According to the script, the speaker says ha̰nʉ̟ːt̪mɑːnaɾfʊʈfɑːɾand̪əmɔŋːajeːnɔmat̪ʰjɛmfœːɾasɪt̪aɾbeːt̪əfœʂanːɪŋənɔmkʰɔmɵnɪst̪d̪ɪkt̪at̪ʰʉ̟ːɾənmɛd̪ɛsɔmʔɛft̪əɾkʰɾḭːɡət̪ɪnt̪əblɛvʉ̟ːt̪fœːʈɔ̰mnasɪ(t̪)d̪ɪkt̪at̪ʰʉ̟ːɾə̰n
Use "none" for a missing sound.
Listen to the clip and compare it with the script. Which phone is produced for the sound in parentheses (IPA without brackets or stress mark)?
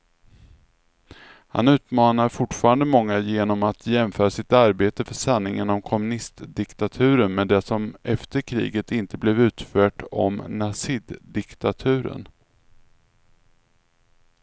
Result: d̪